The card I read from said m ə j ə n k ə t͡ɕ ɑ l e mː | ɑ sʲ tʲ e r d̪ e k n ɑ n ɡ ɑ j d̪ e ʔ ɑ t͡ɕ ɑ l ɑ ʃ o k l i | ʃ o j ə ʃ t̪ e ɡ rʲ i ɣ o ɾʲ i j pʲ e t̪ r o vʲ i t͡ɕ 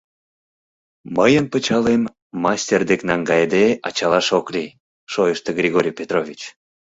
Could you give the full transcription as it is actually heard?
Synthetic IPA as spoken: m ə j ə n p ə t͡ɕ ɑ l e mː | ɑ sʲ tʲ e r d̪ e k n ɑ ŋ ɡ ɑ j d̪ e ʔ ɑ t͡ɕ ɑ l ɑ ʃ o k l i | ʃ o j ə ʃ t̪ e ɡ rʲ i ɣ o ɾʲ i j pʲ e t̪ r o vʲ i t͡ɕ